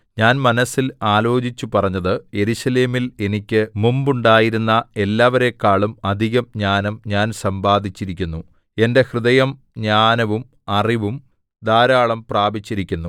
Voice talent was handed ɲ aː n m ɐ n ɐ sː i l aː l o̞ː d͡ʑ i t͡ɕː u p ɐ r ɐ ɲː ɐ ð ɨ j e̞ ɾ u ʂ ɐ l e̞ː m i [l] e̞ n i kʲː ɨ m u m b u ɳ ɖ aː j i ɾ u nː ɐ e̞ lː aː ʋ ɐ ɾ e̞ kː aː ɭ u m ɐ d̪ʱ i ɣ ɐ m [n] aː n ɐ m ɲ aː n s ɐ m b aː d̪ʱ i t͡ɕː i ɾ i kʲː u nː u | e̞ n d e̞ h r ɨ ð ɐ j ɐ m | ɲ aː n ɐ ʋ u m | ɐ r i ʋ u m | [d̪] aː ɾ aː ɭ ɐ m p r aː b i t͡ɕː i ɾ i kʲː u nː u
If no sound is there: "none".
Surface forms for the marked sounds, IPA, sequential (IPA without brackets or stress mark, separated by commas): l, ɲ, d̪